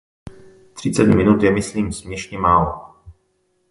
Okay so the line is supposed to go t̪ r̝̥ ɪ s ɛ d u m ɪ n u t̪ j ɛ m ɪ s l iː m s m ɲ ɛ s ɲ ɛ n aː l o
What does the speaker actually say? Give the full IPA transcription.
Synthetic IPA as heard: t̪ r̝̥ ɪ t͡s ɛ d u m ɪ n u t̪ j ɛ m ɪ s l iː m s m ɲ ɛ ʃ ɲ ɛ m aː l o